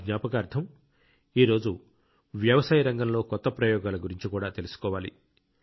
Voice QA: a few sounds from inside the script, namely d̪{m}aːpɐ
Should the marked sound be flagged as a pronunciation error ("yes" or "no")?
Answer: yes